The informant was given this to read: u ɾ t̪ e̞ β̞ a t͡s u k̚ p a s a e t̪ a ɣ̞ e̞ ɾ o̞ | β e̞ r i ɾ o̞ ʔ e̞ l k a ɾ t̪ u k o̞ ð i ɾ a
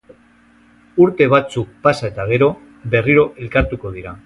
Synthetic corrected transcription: u ɾ t̪ e̞ β̞ a t͡s u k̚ p a s a e t̪ a ɣ̞ e̞ ɾ o̞ | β e̞ r i ɾ o̞ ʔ e̞ l k a ɾ t̪ u k o̞ ð i ɾ a